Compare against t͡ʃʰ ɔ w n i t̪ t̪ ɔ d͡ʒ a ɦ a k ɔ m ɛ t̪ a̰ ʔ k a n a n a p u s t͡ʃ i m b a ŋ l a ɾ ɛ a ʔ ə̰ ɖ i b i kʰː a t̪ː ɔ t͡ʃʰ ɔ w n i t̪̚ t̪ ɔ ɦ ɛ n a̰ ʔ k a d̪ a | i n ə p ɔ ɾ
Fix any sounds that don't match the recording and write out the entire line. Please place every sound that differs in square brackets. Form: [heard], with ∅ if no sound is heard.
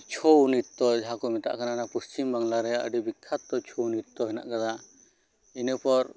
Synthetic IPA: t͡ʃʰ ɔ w n i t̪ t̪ ɔ d͡ʒ a ɦ a k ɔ m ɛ t̪ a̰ ʔ k a n a n a p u s t͡ʃ i m b a ŋ l a ɾ ɛ a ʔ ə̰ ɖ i b i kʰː a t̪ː ɔ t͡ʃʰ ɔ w n i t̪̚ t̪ ɔ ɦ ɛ n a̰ ʔ k a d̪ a | i n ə p ɔ ɾ